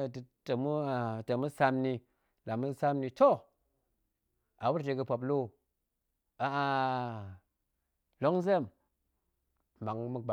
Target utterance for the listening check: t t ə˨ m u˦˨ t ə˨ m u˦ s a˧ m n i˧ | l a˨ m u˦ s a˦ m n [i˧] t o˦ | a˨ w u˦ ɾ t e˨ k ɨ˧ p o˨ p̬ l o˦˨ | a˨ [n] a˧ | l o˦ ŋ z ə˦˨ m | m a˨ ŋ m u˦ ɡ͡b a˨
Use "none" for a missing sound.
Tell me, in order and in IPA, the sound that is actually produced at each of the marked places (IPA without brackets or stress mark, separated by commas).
i˧, none